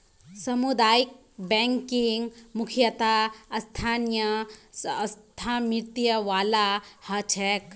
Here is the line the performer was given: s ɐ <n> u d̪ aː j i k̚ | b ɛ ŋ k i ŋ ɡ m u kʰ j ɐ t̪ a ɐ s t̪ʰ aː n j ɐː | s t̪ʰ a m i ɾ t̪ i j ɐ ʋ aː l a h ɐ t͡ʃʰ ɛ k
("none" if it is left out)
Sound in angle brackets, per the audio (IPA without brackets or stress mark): m